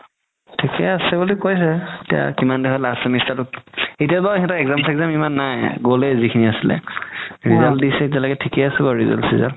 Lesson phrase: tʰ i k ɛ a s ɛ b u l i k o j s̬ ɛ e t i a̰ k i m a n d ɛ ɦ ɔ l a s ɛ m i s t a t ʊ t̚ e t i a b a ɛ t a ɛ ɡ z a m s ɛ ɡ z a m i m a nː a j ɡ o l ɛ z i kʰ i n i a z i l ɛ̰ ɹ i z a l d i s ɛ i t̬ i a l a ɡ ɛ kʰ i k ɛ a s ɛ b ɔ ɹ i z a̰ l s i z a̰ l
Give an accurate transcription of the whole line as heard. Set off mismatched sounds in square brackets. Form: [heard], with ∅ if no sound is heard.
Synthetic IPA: tʰ i k ɛ a s ɛ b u l i k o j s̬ ɛ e t i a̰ k i m a n d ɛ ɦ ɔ l a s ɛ m i s t a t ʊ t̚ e t i a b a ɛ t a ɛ ɡ z a m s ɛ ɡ z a m i m a nː a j ɡ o l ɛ z i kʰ i n i a [s] i l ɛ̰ ɹ i z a l d i s ɛ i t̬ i a l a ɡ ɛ [tʰ] i k ɛ a s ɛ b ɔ ɹ i z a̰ l s i z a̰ l

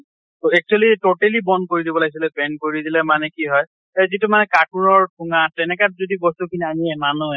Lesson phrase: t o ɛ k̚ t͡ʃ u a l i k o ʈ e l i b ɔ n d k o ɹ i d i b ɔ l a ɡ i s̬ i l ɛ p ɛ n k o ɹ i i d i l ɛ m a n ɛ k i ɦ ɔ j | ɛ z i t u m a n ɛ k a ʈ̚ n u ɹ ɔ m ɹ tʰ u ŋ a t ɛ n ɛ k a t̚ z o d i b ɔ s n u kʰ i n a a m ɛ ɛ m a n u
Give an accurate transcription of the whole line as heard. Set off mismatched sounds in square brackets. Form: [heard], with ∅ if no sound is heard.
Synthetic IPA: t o ɛ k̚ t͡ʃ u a l i [t] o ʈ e l i b ɔ n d k o ɹ i d i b ɔ l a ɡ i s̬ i l ɛ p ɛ n k o ɹ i i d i l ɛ m a n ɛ k i ɦ ɔ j | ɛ z i t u m a n ɛ k a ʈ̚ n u ɹ ɔ [∅] ɹ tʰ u ŋ a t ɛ n ɛ k a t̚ z o d i b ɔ s n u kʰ i n [i] a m [i] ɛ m a n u

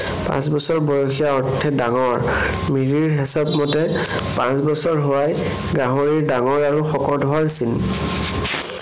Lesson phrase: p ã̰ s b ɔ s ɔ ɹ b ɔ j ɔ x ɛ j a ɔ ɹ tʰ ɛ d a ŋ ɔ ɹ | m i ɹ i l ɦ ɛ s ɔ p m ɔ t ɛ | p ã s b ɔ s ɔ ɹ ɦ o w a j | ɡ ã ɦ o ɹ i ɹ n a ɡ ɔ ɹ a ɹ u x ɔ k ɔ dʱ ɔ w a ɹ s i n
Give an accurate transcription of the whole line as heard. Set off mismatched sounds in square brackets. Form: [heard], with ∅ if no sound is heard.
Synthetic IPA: p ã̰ s b ɔ s ɔ ɹ b ɔ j ɔ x [i] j a ɔ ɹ tʰ ɛ d a ŋ ɔ ɹ | m i ɹ i [ɹ] ɦ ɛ s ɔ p m ɔ t ɛ | p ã s b ɔ s ɔ ɹ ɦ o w a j | ɡ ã ɦ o ɹ i ɹ [d] a [ŋ] ɔ ɹ a ɹ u x ɔ k ɔ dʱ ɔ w a ɹ s i n

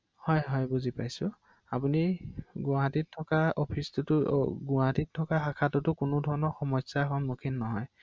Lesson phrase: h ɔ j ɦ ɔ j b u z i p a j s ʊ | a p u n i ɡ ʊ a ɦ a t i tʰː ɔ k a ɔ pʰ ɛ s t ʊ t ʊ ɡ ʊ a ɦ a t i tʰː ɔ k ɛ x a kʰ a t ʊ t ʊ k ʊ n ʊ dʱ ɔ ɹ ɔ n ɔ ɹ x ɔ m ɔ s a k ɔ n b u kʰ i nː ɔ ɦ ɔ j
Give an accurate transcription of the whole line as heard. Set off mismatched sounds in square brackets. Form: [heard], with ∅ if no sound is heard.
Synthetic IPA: h ɔ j ɦ ɔ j b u z i p a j s ʊ | a p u n i ɡ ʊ a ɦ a t i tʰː ɔ k a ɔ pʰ [i] s t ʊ t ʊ ɡ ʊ a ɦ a t i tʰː ɔ k [a] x a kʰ a t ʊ t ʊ k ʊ n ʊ dʱ ɔ ɹ ɔ n ɔ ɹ x ɔ m ɔ s a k ɔ n [m] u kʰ i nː ɔ ɦ ɔ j

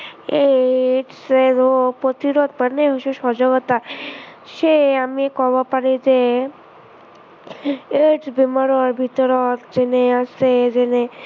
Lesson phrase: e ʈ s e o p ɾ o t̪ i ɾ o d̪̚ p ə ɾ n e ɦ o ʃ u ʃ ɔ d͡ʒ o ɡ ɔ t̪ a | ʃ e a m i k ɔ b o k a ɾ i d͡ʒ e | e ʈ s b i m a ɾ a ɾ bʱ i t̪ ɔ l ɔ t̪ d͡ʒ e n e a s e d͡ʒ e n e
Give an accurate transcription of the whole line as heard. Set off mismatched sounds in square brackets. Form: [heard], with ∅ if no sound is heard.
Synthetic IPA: e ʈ s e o p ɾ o t̪ i ɾ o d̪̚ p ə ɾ n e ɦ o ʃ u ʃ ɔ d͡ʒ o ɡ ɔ t̪ a | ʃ e a m i k ɔ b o [p] a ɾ i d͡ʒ e | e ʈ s b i m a ɾ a ɾ bʱ i t̪ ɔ [ɾ] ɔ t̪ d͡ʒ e n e a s e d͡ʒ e n e

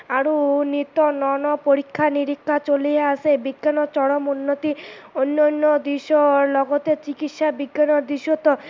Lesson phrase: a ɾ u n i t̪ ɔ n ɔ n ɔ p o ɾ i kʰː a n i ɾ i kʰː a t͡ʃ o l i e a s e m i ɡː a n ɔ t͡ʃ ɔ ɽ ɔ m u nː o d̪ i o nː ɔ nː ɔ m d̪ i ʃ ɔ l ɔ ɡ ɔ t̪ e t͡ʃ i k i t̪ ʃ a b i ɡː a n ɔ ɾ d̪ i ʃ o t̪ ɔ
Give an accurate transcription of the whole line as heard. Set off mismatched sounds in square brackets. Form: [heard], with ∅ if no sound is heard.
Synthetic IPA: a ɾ u n i t̪ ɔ n ɔ n ɔ p o ɾ i kʰː a n i ɾ i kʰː a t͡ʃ o l i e a s e [b] i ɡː a n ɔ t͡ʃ ɔ ɽ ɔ m u nː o [t̪] i o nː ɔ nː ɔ [∅] d̪ i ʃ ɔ l ɔ ɡ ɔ t̪ e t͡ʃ i k i t̪ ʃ a b i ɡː a n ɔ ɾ d̪ i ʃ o t̪ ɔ

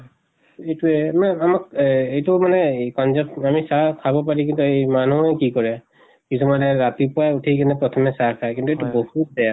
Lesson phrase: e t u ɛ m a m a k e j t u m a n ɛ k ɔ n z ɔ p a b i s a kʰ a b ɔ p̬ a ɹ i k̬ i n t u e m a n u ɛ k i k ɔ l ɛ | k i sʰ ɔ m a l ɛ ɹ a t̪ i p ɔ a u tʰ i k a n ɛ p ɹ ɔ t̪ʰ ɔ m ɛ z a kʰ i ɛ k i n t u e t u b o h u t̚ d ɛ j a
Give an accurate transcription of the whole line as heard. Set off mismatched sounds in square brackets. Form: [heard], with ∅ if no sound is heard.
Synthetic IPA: e t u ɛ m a m a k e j t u m a n ɛ k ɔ n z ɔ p a [m] i s a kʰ a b ɔ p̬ a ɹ i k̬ i n t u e m a n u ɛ k i k ɔ [ɹ] ɛ | k i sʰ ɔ m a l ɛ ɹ a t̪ i p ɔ a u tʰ i k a n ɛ p ɹ ɔ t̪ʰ ɔ m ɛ [s] a kʰ [a] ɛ k i n t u e t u b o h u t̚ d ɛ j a

